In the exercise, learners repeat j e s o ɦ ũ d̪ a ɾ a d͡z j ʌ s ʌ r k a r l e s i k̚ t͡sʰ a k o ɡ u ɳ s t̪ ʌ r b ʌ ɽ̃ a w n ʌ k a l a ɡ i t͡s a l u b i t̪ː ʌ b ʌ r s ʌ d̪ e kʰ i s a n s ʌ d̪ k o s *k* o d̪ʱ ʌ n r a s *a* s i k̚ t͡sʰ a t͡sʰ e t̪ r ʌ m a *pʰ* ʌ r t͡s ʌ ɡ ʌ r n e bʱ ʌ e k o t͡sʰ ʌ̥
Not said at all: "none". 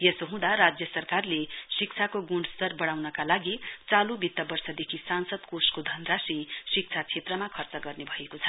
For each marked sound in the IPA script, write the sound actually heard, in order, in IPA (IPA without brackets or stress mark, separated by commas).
k, i, kʰ